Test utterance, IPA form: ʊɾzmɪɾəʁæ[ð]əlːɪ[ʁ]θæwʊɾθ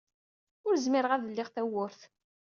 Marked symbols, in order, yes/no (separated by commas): yes, yes